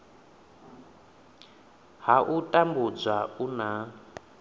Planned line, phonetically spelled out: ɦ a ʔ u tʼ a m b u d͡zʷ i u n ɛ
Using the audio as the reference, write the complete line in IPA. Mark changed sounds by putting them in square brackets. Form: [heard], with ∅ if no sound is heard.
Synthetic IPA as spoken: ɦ a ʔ u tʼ a m b u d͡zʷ [a] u n [a]